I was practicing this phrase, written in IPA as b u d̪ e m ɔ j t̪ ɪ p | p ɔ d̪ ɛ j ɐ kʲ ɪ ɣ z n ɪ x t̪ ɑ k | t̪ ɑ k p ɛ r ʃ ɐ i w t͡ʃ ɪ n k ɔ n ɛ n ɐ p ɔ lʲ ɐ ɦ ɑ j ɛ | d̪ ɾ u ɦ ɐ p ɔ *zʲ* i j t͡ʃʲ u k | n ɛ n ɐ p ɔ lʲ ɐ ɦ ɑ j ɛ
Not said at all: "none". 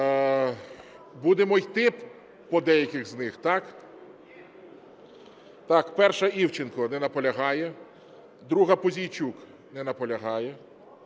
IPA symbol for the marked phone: zʲ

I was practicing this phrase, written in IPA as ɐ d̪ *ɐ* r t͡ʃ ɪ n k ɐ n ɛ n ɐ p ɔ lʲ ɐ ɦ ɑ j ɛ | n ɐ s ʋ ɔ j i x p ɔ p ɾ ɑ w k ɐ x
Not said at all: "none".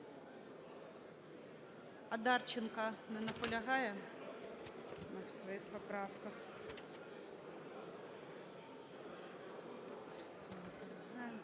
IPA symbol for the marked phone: ɑ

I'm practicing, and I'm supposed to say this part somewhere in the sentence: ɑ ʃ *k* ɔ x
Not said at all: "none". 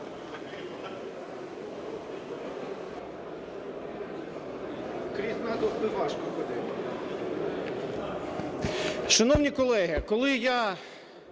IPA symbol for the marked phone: k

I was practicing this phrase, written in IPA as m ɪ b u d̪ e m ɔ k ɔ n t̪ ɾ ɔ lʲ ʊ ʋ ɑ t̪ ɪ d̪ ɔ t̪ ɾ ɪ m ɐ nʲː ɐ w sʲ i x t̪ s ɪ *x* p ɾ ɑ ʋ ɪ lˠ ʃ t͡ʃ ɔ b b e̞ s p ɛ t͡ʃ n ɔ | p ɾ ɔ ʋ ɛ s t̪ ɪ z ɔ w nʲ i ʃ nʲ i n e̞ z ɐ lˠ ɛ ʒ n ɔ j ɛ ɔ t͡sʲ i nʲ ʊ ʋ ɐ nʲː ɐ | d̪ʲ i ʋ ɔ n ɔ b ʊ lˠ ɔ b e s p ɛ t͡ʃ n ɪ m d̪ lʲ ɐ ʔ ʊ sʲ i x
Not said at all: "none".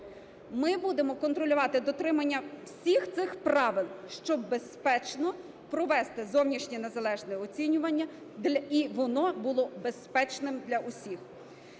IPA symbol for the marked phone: x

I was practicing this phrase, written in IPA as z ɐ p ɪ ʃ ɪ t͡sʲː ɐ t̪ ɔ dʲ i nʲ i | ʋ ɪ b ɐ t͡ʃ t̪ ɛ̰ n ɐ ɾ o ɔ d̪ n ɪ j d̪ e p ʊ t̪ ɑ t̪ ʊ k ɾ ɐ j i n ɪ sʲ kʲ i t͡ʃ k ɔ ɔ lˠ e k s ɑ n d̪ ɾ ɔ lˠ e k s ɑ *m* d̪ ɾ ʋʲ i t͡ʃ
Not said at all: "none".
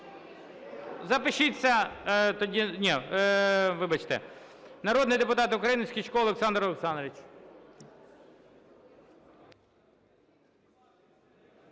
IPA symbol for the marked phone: n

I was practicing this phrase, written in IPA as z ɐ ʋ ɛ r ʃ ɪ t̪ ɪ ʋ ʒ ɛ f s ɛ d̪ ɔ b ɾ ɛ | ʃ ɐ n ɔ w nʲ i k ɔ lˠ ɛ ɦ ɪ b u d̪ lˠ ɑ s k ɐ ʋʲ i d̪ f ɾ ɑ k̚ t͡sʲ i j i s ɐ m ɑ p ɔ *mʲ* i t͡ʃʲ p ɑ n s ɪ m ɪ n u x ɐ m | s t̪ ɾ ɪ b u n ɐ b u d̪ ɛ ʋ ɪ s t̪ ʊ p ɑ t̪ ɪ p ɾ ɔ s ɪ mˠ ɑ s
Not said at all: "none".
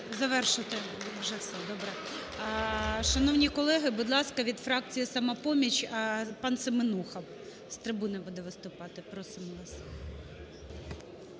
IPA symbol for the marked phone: mʲ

